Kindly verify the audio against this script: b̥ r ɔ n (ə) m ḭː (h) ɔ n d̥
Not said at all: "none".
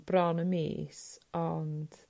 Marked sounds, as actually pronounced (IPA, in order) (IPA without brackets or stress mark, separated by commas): ə, s